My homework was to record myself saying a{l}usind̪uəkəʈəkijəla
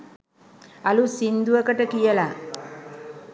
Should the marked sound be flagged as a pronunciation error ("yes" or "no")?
no